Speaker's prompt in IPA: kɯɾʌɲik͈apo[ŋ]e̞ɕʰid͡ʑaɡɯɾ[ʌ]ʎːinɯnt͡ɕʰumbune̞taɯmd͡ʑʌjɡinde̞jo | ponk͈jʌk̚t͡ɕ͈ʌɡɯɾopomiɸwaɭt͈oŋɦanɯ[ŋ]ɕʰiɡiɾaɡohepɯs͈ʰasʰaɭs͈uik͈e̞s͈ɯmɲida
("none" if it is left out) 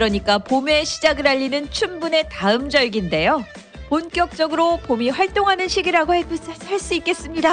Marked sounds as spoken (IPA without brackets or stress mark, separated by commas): m, a, n